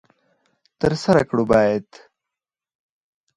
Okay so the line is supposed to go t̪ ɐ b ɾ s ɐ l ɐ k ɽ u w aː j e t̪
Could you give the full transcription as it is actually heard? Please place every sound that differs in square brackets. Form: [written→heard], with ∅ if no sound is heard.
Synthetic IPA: t̪ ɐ [b→∅] ɾ s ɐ [l→ɾ] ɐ k ɽ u [w→b] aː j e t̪